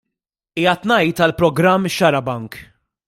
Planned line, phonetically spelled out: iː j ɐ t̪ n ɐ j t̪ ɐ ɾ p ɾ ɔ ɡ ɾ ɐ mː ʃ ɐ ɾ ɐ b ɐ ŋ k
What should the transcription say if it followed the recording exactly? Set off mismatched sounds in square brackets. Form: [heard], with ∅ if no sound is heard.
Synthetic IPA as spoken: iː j ɐ t̪ n ɐ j t̪ ɐ [l] p ɾ ɔ ɡ ɾ ɐ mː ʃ ɐ ɾ ɐ b ɐ ŋ k

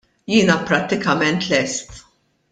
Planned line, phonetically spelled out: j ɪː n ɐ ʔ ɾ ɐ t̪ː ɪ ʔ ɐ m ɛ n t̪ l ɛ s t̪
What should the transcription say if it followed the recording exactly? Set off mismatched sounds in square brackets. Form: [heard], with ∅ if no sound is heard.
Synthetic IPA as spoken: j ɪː n ɐ [p] ɾ ɐ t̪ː ɪ [k] ɐ m ɛ n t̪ l ɛ s t̪

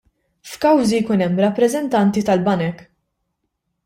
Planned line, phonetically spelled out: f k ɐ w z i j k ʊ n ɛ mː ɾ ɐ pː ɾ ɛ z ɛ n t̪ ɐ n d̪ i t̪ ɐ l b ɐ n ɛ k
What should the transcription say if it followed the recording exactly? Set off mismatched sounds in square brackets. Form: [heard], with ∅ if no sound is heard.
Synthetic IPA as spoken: f k ɐ w z i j k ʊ n ɛ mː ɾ ɐ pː ɾ ɛ z ɛ n t̪ ɐ n [t̪] i t̪ ɐ l b ɐ n ɛ k

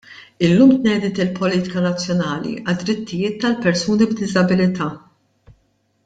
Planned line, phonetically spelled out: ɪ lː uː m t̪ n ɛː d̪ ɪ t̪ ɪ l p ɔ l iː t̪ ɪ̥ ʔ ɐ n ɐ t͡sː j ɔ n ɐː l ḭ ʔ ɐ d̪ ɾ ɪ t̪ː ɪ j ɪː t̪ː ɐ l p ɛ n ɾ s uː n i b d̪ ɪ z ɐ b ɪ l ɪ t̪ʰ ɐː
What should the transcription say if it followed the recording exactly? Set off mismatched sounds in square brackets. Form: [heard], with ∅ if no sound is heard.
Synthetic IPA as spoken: ɪ lː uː m t̪ n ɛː d̪ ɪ t̪ ɪ l p ɔ l iː t̪ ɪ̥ [k] ɐ n ɐ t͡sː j ɔ n ɐː l ḭ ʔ ɐ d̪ ɾ ɪ t̪ː ɪ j ɪː t̪ː ɐ l p ɛ [∅] ɾ s uː n i b d̪ ɪ z ɐ b ɪ l ɪ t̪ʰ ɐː

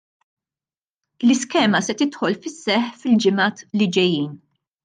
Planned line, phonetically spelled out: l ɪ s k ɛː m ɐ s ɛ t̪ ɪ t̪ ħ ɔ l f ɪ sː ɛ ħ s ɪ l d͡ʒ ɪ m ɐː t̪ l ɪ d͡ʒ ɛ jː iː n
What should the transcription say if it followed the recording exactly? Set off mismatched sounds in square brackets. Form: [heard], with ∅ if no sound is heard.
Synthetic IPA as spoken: l ɪ s k ɛː m ɐ s ɛ t̪ ɪ t̪ ħ ɔ l f ɪ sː ɛ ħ [f] ɪ l d͡ʒ ɪ m ɐː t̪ l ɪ d͡ʒ ɛ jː iː n

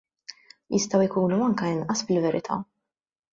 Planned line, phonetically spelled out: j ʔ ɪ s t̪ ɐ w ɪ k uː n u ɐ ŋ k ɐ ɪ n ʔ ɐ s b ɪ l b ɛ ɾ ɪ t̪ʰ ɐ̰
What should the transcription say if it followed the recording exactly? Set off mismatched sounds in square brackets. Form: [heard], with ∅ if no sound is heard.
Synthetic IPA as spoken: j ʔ ɪ s t̪ ɐ w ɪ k uː n u ɐ ŋ k ɐ ɪ n ʔ ɐ s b ɪ l [v] ɛ ɾ ɪ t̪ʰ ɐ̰

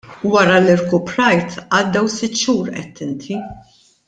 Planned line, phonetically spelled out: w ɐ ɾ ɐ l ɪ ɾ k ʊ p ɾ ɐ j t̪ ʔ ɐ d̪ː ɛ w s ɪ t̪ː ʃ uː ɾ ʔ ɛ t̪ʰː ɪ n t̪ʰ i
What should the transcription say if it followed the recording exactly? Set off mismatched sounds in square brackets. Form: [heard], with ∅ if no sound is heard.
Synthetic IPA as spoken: w ɐ ɾ ɐ l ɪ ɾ k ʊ p ɾ ɐ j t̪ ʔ ɐ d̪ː ɛ w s ɪ t̪ː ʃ uː ɾ ʔ ɛ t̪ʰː ɪ n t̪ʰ i

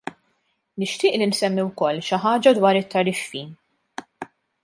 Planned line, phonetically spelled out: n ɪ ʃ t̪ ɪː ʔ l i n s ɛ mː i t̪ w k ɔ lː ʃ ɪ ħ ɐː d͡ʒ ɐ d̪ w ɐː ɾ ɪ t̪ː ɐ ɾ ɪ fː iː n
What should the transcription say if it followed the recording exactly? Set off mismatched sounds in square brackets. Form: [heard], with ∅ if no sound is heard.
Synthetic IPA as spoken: n ɪ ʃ t̪ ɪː ʔ l i n s ɛ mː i [∅] w k ɔ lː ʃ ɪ ħ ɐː d͡ʒ ɐ d̪ w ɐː ɾ ɪ t̪ː ɐ ɾ ɪ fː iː n

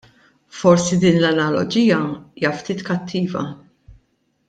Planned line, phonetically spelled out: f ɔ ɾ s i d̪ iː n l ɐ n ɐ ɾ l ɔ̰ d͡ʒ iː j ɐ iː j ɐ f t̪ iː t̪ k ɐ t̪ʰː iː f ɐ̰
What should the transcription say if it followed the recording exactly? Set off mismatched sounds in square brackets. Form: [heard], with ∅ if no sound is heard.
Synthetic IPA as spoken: f ɔ ɾ s i d̪ iː n l ɐ n ɐ [∅] l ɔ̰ d͡ʒ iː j ɐ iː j ɐ f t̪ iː t̪ k ɐ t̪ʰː iː [v] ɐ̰

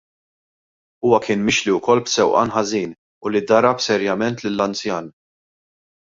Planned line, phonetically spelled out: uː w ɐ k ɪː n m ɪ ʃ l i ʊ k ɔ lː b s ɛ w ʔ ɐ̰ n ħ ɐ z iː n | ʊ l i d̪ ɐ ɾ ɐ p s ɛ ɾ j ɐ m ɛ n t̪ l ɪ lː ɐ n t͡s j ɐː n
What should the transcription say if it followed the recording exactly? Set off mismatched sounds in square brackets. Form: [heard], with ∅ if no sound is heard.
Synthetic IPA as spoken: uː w ɐ k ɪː n m ɪ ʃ l i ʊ k ɔ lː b s ɛ w ʔ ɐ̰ n ħ ɐ z iː n | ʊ l i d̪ ɐ ɾ ɐ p s ɛ ɾ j ɐ m ɛ n t̪ l ɪ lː ɐ n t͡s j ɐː n

